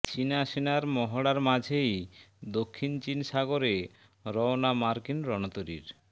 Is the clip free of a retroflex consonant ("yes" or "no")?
no